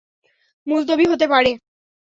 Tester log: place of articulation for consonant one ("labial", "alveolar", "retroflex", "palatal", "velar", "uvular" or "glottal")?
labial